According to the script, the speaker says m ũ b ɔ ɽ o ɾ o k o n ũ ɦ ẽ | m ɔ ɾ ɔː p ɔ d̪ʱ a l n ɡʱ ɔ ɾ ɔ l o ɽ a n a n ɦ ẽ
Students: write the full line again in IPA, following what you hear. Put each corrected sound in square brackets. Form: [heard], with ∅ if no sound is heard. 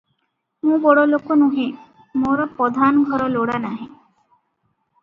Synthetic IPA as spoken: m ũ b ɔ ɽ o [l] o k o n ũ ɦ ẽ | m [o] ɾ [ɔ] p ɔ d̪ʱ a [∅] n ɡʱ ɔ ɾ ɔ l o ɽ a n a [∅] ɦ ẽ